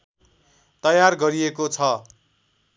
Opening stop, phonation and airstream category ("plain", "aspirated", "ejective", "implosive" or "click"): plain